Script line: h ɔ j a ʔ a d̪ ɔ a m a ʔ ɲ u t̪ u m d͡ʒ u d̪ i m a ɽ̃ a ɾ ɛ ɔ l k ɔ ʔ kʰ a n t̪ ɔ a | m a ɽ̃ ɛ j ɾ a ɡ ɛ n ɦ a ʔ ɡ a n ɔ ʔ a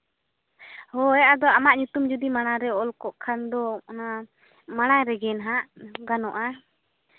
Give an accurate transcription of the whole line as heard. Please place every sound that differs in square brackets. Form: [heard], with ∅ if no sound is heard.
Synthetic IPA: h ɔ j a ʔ a d̪ ɔ a m a ʔ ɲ u t̪ u m d͡ʒ u d̪ i m a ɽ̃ a ɾ ɛ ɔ l k ɔ ʔ kʰ a n [d̪] ɔ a | m a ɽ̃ [a] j ɾ [ɛ] ɡ ɛ n ɦ a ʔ ɡ a n ɔ ʔ a